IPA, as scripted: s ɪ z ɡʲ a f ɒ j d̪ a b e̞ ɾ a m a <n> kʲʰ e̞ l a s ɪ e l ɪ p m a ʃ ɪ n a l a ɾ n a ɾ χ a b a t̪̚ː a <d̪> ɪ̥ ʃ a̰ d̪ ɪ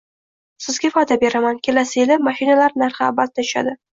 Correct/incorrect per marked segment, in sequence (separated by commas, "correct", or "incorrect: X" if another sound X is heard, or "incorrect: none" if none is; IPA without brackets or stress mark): correct, incorrect: none